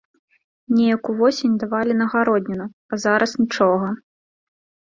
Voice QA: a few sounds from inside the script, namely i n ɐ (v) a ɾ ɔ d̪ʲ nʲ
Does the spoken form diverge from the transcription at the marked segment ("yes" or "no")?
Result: yes